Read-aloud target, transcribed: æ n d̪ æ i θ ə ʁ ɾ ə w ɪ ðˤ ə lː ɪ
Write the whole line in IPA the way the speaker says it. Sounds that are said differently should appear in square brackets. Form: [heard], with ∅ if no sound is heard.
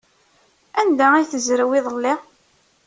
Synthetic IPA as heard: æ n d̪ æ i θ ə [z] ɾ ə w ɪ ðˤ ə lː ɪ